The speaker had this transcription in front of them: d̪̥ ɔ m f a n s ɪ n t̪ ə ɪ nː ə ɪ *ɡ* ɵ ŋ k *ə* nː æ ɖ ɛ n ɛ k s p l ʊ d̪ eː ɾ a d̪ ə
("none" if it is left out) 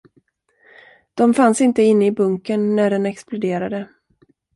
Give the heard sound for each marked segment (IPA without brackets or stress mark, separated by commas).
b, ə